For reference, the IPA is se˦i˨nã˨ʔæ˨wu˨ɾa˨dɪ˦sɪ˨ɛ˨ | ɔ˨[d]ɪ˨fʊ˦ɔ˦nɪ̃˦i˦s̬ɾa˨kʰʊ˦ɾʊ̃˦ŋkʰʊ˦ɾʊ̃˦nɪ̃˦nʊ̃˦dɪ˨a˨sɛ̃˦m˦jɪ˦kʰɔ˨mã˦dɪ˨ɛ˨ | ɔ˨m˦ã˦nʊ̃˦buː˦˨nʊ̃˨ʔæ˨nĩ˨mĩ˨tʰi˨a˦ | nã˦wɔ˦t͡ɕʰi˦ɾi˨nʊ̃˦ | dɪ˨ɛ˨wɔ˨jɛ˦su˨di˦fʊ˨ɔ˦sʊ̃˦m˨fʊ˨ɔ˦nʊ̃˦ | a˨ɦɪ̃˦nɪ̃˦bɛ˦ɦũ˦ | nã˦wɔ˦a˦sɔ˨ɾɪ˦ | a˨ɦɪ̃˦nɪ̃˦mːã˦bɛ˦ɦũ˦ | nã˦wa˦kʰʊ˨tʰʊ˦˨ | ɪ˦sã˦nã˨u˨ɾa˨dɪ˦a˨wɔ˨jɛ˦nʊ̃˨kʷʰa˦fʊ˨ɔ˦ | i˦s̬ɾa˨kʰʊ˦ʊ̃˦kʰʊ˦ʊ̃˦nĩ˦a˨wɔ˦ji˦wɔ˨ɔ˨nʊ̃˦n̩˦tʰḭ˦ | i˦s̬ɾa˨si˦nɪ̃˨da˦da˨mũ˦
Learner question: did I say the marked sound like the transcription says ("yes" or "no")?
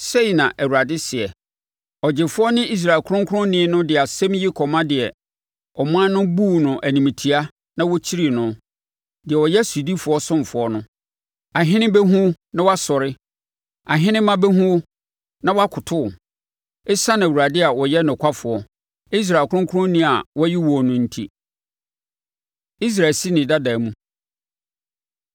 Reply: no